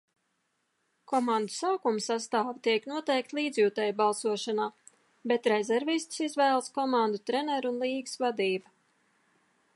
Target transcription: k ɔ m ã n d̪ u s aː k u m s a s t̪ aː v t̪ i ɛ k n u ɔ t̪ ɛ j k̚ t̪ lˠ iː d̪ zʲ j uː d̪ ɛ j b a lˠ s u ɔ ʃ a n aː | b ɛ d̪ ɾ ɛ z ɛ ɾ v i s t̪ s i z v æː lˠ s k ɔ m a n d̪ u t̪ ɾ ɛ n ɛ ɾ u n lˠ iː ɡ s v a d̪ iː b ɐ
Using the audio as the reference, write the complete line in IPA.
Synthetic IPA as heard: k ɔ m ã n d̪ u s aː k u m s a s t̪ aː v t̪ i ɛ k n u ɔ t̪ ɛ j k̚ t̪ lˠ iː d̪ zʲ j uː t̪ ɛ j b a lˠ s u ɔ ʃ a n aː | b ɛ t̪ ɾ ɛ z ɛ ɾ v i s t̪ s i z v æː lˠ s k ɔ m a n d̪ u t̪ ɾ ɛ n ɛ ɾ u n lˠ iː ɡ s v a d̪ iː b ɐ